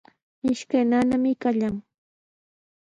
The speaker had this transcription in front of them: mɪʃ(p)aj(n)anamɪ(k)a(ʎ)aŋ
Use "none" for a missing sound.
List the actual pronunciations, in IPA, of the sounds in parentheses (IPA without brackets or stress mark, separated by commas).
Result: k, n, k, ʎ